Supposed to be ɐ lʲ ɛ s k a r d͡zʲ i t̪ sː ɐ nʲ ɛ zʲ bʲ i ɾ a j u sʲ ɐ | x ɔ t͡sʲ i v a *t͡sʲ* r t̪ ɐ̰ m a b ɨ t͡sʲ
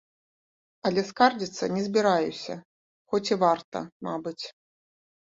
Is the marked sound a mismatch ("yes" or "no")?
yes